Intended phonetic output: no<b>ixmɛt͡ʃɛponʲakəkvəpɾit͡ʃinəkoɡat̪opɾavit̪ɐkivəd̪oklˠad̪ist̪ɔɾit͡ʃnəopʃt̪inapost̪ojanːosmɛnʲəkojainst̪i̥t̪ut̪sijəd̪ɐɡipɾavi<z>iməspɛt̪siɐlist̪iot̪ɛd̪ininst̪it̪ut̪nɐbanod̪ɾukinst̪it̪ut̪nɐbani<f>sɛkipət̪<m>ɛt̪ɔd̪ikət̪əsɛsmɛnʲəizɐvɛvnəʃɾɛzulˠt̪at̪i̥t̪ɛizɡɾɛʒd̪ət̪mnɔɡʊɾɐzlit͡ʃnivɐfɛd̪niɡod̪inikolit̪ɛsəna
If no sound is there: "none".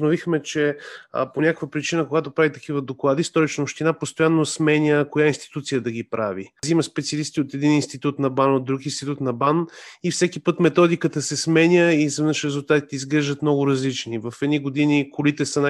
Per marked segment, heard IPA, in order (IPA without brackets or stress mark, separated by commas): v, z, f, m